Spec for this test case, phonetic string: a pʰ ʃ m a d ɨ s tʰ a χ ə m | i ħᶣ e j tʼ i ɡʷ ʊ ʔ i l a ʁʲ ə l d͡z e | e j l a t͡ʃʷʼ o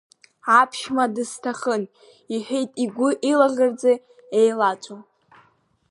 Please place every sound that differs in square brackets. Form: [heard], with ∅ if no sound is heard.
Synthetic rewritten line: a pʰ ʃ m a d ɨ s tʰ a χ ə [n] | i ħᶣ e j tʼ i ɡʷ ʊ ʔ i l a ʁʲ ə [r] d͡z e | e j l a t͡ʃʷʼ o